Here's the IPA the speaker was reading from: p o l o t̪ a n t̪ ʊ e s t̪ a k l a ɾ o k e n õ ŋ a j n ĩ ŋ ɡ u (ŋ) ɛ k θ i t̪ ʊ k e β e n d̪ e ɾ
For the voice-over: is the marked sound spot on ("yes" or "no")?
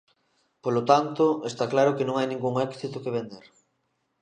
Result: yes